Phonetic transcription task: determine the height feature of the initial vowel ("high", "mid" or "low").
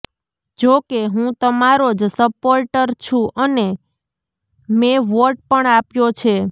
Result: mid